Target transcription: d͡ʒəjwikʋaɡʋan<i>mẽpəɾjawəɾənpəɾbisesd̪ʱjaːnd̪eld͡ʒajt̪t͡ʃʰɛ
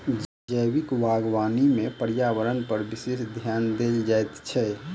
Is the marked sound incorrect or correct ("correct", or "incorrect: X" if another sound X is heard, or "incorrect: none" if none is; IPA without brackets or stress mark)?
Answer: correct